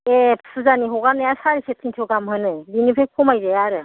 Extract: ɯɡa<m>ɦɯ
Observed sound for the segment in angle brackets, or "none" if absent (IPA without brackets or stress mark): m